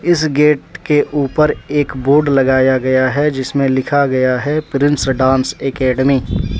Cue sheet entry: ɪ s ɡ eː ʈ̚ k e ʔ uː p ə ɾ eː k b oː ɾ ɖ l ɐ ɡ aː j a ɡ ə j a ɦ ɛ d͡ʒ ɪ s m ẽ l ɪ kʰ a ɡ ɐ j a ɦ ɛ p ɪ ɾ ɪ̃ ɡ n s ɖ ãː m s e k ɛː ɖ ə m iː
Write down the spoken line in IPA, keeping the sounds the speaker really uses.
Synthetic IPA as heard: ɪ s ɡ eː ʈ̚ k e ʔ uː p ə ɾ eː k b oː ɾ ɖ l ɐ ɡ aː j a ɡ ɐ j a ɦ ɛ d͡ʒ ɪ s m ẽ l ɪ kʰ a ɡ ɐ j a ɦ ɛ p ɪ ɾ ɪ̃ n s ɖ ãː n s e k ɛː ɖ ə m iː